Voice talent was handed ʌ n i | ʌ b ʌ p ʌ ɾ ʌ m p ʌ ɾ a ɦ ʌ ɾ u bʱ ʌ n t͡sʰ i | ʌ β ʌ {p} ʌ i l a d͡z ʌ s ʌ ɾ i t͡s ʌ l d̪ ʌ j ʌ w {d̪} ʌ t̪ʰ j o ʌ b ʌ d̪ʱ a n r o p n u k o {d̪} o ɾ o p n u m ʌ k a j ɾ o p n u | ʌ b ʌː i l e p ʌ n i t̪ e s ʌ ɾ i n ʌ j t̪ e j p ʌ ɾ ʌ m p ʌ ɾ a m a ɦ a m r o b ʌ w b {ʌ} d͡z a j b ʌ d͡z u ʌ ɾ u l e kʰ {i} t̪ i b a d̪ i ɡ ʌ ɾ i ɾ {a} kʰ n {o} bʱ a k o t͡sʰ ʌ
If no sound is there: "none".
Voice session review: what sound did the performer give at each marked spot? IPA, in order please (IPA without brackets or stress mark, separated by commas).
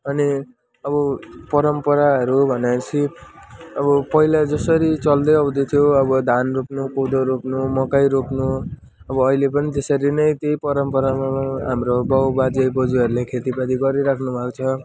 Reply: p, d̪, d̪, a, e, a, u